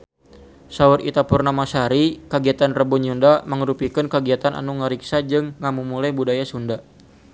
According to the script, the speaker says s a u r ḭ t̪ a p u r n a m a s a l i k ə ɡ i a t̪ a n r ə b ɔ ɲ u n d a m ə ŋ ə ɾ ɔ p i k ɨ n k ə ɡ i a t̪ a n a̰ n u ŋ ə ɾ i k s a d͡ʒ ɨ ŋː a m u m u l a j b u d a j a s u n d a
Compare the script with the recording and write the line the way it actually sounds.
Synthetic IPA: s a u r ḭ t̪ a p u r n a m a s a ɾ i k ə ɡ i a t̪ a n r ə b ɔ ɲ u n d a m ə ŋ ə ɾ u p i k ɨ n k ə ɡ i a t̪ a n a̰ n u ŋ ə ɾ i k s a d͡ʒ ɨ ŋː a m u m u l a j b u d a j a s u n d a